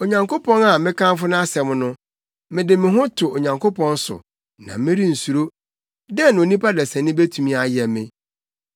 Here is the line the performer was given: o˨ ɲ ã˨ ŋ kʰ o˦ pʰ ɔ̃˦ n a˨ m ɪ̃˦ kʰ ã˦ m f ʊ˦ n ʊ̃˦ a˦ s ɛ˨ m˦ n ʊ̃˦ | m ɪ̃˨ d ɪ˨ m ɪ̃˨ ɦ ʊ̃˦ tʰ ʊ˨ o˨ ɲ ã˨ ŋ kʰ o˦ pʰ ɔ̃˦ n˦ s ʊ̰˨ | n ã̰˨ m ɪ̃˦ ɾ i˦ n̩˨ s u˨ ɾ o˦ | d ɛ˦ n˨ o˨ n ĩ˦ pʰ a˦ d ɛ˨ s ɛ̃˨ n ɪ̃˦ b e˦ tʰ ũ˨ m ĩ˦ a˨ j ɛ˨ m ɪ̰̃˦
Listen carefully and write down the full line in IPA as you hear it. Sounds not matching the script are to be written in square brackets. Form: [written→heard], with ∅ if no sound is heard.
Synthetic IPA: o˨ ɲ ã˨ ŋ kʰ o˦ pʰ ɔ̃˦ n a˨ m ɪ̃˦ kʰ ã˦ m f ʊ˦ n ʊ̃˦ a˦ s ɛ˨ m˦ n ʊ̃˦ | m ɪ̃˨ d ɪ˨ m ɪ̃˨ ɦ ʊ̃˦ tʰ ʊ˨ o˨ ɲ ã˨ ŋ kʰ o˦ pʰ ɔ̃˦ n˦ s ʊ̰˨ | n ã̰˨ m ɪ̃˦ ɾ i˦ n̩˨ s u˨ ɾ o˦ | d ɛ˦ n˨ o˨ n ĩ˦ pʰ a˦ d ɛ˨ s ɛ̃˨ n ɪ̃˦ b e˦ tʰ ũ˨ m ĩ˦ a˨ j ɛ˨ m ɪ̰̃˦